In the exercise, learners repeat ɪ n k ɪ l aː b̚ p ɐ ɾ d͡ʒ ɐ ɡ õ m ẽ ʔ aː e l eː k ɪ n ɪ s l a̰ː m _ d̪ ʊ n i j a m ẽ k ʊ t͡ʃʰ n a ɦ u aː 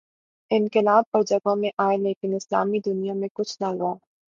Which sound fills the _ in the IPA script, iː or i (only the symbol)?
i